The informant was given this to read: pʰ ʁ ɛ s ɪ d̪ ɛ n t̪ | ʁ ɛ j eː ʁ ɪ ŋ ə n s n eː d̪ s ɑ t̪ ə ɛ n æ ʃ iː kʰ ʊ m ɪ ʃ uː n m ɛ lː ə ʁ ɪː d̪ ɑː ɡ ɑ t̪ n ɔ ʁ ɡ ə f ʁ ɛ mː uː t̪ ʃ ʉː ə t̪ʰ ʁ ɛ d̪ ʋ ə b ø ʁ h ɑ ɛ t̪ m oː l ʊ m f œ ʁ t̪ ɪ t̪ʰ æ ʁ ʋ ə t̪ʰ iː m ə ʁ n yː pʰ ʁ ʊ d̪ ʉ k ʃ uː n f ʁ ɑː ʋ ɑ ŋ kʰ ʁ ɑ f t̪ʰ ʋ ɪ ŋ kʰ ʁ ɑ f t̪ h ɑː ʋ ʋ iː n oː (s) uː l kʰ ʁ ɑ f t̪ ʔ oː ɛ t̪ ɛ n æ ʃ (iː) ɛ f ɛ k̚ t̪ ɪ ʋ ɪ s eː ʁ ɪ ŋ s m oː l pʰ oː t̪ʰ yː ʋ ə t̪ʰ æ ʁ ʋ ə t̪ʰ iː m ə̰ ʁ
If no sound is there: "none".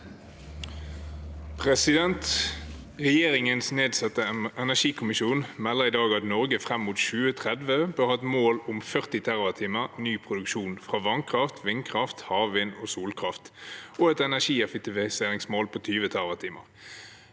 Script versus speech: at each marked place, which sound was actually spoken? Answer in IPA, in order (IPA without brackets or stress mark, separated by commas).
s, iː